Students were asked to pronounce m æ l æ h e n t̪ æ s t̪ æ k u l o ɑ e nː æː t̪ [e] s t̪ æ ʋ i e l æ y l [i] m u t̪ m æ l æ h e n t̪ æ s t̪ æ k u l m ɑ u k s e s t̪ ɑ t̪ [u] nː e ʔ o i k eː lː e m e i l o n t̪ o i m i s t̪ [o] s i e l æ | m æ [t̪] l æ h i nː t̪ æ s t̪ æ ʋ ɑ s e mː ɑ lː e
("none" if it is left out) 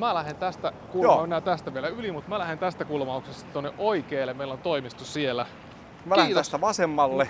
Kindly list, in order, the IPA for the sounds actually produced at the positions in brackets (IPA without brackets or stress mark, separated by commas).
æ, i, o, u, none